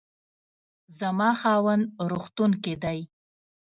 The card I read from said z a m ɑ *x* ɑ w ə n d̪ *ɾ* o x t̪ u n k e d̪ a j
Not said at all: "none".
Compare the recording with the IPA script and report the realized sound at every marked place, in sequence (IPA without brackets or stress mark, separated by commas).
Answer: x, ɾ